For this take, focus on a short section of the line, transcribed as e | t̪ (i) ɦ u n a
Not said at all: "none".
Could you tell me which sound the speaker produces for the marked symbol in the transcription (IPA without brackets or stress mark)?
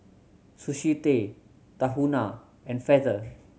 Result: a